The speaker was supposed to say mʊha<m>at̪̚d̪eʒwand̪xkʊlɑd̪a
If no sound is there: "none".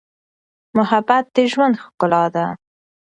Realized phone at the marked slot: b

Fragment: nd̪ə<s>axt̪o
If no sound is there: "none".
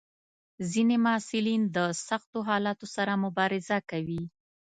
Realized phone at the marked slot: s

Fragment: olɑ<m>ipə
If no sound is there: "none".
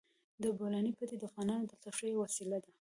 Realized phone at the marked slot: n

